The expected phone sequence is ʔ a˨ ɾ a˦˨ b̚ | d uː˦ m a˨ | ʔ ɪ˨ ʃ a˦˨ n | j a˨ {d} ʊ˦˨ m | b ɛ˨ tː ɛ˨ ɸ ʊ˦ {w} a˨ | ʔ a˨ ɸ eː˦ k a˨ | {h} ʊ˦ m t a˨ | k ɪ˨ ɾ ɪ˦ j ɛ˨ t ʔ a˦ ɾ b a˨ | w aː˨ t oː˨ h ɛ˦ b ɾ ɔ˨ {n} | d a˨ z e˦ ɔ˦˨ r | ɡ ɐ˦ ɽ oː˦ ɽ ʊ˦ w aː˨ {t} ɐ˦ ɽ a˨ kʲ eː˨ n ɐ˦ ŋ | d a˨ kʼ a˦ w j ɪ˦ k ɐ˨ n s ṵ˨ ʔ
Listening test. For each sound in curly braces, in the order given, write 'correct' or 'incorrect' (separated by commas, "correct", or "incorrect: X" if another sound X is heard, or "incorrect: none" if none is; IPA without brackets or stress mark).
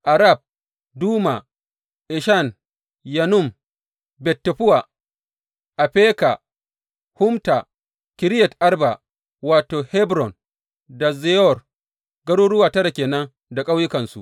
incorrect: n, correct, correct, correct, correct